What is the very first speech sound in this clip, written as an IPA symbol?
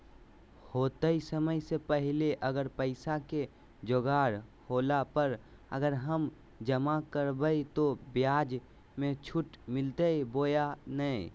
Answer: h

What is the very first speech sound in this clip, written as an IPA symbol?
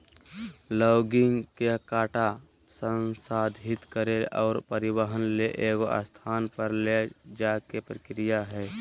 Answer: l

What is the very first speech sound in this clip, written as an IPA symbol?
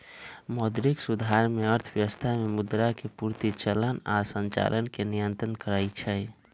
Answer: m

